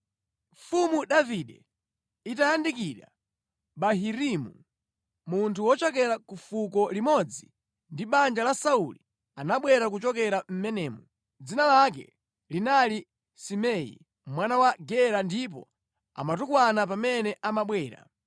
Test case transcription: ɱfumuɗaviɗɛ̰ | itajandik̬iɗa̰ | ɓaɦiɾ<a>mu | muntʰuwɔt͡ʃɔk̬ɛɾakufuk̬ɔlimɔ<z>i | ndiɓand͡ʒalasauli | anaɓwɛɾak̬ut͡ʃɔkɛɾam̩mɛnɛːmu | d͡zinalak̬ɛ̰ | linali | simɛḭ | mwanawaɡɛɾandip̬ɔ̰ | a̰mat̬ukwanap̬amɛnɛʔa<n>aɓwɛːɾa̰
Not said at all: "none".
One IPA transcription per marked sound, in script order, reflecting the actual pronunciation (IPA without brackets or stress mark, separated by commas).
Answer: i, d͡z, m